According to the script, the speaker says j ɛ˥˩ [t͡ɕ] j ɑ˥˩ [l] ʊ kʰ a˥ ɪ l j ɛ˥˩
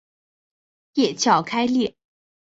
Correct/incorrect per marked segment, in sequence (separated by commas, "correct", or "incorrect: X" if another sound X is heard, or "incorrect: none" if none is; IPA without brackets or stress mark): incorrect: t͡ɕʰ, incorrect: none